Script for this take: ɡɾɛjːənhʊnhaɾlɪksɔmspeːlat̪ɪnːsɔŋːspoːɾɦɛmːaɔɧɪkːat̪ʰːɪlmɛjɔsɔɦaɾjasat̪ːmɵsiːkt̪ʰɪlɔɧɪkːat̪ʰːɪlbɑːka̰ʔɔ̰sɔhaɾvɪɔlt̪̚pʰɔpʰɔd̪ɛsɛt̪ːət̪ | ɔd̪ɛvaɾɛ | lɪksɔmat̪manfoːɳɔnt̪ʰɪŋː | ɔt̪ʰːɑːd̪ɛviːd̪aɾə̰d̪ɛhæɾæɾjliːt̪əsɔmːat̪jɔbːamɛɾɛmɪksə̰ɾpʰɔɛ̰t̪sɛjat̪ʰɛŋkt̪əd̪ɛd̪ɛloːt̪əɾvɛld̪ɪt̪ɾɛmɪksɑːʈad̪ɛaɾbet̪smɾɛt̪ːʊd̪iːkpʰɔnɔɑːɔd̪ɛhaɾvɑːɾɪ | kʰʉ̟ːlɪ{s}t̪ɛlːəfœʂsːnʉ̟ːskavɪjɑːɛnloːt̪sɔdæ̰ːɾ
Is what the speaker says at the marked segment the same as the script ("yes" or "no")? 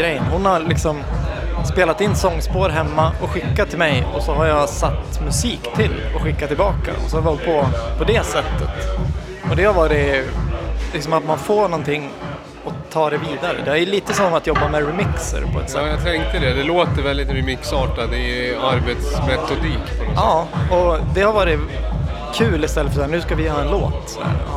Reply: yes